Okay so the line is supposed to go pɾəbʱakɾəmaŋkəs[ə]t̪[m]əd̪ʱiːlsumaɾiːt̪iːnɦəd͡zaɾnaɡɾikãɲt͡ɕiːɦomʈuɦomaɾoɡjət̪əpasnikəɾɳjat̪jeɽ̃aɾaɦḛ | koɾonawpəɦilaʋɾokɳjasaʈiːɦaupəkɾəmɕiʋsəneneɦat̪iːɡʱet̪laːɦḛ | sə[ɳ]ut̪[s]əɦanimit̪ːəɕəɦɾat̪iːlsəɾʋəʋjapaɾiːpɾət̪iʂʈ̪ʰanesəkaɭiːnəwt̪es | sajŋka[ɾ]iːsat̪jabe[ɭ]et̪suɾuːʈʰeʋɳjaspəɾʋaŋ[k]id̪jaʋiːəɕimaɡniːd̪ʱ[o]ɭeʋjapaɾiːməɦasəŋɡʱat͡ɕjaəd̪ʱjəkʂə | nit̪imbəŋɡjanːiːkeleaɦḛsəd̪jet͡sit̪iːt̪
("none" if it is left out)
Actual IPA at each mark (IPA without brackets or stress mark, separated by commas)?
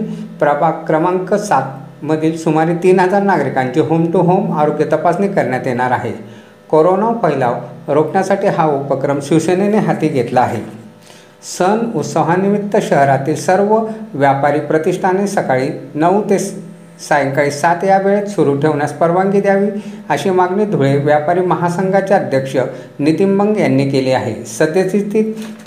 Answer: a, m, n, s, ɭ, ɭ, ɡ, u